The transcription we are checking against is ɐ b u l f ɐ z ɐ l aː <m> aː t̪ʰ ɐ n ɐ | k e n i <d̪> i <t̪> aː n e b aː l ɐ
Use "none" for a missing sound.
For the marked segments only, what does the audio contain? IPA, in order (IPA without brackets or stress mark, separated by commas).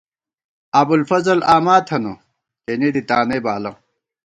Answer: m, d̪, t̪